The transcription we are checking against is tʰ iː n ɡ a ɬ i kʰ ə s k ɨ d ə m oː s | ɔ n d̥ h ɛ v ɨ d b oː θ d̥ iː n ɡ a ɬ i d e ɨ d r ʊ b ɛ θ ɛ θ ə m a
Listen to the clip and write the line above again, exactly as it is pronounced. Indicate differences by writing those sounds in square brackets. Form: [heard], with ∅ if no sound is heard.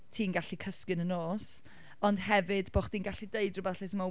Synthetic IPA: tʰ iː n ɡ a ɬ i kʰ ə s k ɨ [n] ə [n] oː s | ɔ n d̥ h ɛ v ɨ d b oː [χ] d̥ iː n ɡ a ɬ i d e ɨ d r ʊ b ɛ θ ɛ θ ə m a